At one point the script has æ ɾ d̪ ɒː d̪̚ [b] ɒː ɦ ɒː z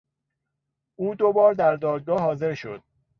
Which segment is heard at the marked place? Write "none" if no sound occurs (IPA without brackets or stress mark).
ɡ